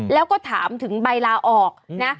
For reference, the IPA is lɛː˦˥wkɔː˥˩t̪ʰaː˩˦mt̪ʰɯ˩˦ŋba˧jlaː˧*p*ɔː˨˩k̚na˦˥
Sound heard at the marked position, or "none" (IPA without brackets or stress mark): ʔ